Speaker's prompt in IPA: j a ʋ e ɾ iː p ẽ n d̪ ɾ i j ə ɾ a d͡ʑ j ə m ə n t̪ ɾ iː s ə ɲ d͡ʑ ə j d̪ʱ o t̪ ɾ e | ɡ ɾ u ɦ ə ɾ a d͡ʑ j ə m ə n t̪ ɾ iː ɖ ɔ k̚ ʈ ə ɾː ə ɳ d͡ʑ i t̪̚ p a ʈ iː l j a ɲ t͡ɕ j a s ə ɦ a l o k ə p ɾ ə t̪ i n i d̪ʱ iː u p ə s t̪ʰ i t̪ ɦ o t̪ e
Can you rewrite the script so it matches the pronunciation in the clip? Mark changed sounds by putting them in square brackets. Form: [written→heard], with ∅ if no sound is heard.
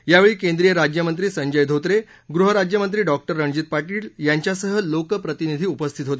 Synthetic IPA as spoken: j a ʋ e [ɾ→ɭ] iː [p→k] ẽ n d̪ ɾ i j ə ɾ a d͡ʑ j ə m ə n t̪ ɾ iː s ə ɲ d͡ʑ ə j d̪ʱ o t̪ ɾ e | ɡ ɾ u ɦ ə ɾ a d͡ʑ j ə m ə n t̪ ɾ iː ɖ ɔ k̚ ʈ ə ɾː ə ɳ d͡ʑ i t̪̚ p a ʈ iː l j a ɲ t͡ɕ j a s ə ɦ [a→ə] l o k ə p ɾ ə t̪ i n i d̪ʱ iː u p ə s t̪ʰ i t̪ ɦ o t̪ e